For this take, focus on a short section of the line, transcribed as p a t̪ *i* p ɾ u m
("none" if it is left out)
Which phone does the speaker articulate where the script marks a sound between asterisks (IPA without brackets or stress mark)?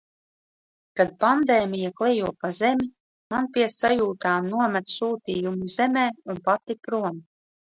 i